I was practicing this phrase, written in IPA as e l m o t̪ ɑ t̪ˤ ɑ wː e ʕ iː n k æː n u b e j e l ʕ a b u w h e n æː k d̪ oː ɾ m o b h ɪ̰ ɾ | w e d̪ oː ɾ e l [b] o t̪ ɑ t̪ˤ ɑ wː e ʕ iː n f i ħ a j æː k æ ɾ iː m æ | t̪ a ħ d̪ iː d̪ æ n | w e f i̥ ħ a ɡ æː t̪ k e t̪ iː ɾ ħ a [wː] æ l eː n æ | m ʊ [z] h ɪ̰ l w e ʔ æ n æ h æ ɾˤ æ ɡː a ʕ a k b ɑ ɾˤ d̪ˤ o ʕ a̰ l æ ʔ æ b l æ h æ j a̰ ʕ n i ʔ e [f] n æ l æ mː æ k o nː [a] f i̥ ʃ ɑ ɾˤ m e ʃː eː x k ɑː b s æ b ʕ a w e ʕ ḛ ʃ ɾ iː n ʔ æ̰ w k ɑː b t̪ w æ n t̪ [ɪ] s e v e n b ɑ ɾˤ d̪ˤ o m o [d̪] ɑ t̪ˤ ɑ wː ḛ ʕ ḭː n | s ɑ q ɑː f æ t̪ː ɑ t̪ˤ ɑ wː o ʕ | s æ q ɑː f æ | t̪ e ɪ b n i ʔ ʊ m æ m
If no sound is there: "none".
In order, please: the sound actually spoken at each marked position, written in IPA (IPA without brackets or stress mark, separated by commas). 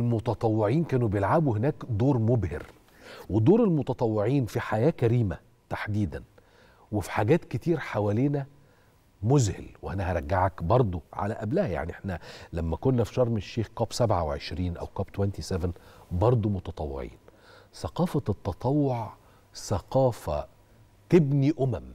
m, w, z, ħ, æ, i, t̪